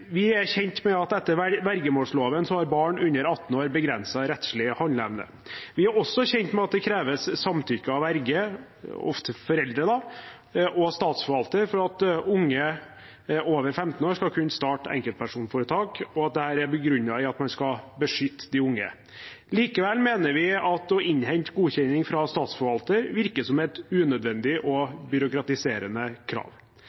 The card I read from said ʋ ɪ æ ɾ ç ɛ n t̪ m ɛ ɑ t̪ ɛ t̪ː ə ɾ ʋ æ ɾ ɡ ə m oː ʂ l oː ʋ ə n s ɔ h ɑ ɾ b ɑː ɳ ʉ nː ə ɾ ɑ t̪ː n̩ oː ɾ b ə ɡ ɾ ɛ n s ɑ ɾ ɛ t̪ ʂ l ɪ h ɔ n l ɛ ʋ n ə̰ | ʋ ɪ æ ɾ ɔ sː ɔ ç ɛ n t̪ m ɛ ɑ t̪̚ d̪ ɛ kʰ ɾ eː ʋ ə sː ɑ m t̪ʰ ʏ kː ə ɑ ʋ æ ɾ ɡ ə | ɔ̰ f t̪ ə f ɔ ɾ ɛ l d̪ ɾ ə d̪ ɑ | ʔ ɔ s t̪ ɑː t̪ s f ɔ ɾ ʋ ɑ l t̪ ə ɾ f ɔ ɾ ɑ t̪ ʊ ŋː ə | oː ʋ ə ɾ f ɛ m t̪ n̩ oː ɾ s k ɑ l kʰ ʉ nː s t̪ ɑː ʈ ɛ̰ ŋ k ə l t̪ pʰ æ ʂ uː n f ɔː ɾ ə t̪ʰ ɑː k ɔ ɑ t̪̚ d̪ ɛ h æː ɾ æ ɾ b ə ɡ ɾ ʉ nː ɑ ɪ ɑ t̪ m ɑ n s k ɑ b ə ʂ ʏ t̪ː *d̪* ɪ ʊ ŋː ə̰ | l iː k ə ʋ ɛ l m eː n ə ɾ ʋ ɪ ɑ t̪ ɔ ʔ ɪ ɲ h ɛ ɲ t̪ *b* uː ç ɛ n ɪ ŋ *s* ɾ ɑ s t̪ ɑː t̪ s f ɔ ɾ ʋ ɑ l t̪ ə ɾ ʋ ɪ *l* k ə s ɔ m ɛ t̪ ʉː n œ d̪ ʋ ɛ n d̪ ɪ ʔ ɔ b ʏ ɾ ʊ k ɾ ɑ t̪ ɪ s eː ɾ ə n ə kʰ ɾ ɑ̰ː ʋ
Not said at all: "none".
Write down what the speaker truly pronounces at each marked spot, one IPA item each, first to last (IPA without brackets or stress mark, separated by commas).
d̪, ɡ, f, ɾ